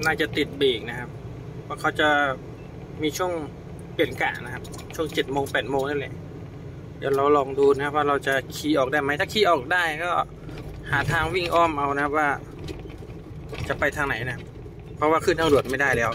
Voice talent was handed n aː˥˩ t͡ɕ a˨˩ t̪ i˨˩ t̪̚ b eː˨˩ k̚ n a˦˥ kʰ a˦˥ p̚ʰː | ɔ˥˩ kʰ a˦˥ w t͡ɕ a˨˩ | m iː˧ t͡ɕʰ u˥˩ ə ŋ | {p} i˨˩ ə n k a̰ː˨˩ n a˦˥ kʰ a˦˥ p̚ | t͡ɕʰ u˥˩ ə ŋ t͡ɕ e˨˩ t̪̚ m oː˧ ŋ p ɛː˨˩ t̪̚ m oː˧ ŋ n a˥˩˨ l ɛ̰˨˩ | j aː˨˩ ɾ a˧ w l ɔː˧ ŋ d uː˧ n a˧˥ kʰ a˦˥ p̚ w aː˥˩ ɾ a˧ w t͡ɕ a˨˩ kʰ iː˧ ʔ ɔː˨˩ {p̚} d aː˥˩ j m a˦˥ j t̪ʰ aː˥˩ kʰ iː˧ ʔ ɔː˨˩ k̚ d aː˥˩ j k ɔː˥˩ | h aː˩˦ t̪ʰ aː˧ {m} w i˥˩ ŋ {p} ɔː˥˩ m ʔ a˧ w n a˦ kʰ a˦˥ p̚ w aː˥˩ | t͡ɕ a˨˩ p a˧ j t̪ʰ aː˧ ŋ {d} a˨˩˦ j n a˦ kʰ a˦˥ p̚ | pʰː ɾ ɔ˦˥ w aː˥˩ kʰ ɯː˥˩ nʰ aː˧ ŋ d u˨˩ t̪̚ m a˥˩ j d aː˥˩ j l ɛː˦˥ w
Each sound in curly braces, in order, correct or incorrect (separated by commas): correct, incorrect, incorrect, incorrect, incorrect